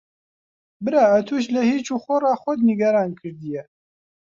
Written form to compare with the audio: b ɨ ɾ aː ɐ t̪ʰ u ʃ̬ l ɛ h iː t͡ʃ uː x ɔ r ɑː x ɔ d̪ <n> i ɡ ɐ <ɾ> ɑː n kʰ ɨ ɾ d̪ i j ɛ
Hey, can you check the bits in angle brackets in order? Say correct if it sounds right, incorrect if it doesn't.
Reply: correct, correct

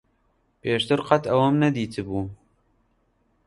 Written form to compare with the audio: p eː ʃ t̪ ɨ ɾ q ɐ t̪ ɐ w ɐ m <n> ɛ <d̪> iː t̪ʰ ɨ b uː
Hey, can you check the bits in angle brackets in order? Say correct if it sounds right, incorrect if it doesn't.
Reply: correct, correct

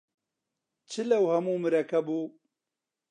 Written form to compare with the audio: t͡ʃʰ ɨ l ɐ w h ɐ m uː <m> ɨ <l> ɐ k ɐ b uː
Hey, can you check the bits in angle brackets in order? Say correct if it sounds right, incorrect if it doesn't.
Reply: correct, incorrect: ɾ

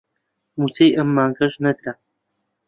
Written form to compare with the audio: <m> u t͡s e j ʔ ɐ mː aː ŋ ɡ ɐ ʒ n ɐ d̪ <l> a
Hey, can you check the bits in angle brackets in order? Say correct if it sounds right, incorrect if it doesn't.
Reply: correct, incorrect: ɾ

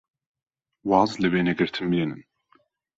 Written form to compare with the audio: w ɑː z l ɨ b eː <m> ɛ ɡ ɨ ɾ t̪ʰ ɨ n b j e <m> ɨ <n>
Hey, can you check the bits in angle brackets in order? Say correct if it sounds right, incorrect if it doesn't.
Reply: incorrect: n, incorrect: n, correct

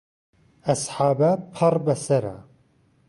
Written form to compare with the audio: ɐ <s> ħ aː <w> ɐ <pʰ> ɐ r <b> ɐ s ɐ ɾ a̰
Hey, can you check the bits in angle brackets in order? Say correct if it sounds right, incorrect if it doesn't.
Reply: correct, incorrect: b, correct, correct

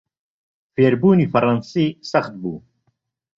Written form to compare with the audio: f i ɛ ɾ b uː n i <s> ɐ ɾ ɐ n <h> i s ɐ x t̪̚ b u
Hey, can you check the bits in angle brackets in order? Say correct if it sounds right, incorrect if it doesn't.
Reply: incorrect: f, incorrect: s

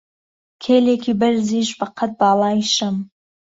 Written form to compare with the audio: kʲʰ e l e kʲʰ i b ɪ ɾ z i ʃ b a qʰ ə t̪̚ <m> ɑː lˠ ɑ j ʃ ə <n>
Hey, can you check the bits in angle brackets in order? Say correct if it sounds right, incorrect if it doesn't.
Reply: incorrect: b, incorrect: m

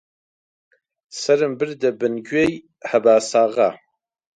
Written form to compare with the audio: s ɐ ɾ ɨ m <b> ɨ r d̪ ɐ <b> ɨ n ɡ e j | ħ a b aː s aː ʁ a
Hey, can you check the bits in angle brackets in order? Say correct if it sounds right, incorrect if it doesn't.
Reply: correct, correct

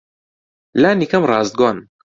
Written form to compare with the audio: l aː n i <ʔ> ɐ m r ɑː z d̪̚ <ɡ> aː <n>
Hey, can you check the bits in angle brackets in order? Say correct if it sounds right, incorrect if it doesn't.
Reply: incorrect: k, correct, correct

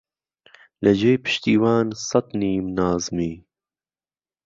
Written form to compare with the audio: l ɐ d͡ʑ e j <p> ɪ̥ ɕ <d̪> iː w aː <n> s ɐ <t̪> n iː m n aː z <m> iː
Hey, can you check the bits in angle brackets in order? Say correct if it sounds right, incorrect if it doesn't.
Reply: correct, incorrect: t̪, correct, correct, correct

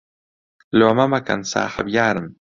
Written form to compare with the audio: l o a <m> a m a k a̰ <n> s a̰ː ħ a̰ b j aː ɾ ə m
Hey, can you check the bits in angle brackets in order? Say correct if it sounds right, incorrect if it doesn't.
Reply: correct, correct

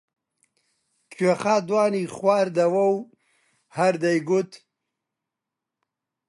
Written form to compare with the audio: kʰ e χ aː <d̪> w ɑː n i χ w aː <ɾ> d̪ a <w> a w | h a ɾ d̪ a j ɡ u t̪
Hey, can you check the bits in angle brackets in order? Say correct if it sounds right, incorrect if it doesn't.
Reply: correct, correct, correct

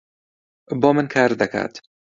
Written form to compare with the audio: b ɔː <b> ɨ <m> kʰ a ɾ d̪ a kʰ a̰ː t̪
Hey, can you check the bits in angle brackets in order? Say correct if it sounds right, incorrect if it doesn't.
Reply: incorrect: m, incorrect: n

